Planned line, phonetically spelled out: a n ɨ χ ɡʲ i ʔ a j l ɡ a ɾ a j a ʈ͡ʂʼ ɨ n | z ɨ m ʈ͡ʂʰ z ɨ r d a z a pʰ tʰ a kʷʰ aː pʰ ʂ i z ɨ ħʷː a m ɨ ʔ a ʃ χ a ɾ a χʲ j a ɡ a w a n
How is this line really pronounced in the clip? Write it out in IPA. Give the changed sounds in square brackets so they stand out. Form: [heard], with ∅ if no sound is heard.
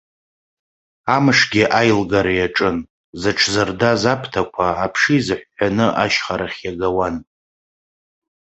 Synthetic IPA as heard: a [m] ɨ [ʂ] ɡʲ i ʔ a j l ɡ a ɾ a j a ʈ͡ʂʼ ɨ n | z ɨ [∅] ʈ͡ʂʰ z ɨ r d a z a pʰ tʰ a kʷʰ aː pʰ ʂ i z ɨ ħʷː a [n] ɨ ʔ a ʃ χ a ɾ a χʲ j a ɡ a w a n